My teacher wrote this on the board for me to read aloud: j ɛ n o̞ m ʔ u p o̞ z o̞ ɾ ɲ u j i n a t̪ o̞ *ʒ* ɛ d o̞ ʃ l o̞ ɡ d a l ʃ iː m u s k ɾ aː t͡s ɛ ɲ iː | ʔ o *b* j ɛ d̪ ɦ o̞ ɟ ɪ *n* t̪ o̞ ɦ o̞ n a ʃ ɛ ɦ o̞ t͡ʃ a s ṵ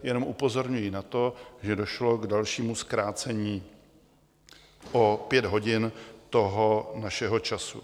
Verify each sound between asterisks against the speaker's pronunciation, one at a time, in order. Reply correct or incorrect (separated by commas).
correct, incorrect, correct